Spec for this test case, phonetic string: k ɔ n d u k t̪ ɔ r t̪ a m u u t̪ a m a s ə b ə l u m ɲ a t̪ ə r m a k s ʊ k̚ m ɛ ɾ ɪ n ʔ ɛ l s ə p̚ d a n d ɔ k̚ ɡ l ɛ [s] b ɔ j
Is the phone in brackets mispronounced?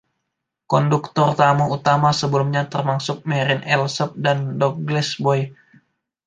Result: no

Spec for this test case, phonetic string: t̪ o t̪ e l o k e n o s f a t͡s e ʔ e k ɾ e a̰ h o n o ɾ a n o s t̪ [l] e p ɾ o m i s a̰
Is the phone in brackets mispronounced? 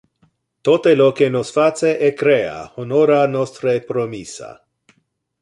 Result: yes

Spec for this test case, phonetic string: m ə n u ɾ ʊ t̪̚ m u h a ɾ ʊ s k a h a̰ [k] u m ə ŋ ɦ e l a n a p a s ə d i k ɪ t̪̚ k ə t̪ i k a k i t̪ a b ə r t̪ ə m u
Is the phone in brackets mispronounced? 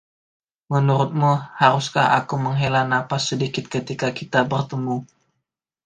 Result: no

